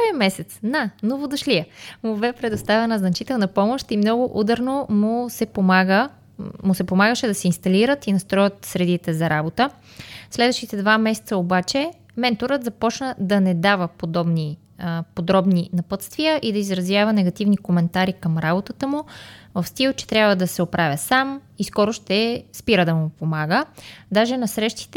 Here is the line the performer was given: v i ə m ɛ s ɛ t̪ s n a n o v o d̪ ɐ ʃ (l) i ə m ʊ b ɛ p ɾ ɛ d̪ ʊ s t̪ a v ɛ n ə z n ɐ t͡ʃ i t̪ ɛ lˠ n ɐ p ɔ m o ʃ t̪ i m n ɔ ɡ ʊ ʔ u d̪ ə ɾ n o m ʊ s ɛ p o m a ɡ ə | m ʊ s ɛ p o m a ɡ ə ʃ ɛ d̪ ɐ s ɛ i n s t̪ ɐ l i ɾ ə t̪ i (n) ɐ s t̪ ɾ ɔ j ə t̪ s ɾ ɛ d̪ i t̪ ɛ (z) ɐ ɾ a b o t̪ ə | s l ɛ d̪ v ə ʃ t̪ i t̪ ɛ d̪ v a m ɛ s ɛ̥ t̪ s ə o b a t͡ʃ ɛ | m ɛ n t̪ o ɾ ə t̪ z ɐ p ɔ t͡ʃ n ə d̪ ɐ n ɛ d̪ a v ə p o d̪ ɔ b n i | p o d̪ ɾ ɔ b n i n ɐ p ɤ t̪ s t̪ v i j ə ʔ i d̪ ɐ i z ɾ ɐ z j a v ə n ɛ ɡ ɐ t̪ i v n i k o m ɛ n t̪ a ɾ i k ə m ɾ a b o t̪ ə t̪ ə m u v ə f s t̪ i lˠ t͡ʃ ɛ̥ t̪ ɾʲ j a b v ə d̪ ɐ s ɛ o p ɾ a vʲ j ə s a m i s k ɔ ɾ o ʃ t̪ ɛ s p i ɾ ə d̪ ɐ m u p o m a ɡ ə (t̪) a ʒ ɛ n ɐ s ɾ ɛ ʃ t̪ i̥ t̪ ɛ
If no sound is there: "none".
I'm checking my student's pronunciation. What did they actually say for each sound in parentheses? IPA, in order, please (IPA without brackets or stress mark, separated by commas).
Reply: l, n, z, d̪